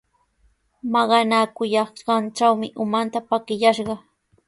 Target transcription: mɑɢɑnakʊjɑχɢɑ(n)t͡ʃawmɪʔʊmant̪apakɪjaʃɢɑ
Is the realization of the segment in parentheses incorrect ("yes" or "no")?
no